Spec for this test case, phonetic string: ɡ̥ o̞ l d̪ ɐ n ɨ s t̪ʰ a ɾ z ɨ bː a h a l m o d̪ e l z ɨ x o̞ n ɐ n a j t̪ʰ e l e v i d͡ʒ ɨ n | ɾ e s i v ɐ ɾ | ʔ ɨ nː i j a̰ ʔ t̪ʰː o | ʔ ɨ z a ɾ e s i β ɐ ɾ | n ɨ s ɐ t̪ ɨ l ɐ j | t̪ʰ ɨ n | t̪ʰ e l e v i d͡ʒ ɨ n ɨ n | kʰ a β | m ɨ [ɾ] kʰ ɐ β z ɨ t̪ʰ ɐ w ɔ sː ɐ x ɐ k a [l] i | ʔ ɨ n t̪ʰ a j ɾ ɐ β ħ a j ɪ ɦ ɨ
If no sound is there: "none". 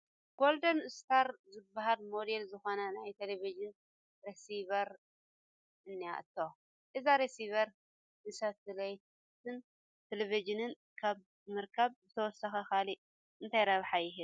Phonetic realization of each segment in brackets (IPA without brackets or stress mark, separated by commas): ɾ, l